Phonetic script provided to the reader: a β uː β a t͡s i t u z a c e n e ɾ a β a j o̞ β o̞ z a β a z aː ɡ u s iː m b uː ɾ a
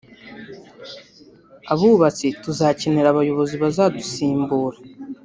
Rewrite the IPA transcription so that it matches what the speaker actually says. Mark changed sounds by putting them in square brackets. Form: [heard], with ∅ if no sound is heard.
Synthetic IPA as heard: a β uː β a t͡s i t u z a c e n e ɾ a β a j o̞ β o̞ z [i] β a z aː [d] u s iː m b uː ɾ a